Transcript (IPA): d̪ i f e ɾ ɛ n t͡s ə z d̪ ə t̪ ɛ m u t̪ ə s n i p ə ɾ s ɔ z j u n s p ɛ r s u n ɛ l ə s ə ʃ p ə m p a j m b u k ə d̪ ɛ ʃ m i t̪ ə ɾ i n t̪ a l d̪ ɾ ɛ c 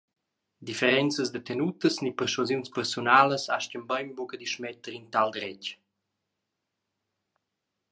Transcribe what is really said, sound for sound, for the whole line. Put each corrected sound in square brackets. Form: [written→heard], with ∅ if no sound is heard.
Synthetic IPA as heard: d̪ i f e ɾ ɛ n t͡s ə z d̪ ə t̪ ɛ [m→n] u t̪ ə s n i p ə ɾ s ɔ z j u n s p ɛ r s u n [ɛ→a] l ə s [ə→a] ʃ [p→c] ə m [p→b] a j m b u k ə d̪ [ɛ→i] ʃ m [i→ɛ] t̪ ə ɾ i n t̪ a l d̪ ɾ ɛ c